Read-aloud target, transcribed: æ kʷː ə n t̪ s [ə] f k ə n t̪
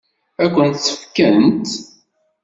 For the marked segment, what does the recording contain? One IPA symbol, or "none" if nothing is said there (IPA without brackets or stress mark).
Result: ə